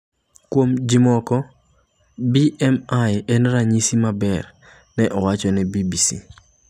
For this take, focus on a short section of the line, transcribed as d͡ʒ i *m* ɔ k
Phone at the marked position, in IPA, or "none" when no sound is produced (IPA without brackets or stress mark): m